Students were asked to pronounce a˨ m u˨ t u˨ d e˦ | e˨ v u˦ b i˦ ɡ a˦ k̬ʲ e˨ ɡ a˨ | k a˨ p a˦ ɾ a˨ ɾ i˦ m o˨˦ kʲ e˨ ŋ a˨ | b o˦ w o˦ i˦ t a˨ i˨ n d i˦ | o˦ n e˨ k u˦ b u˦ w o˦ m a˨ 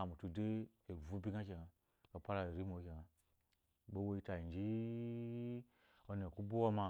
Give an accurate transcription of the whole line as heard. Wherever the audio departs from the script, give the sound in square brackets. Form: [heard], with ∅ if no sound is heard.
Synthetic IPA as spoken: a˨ m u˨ t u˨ d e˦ | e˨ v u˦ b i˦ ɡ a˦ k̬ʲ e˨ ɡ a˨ | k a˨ p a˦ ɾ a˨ ɾ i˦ m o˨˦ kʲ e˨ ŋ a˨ | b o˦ w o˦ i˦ t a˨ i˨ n [d͡ʒ] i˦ | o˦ n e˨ k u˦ b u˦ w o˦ m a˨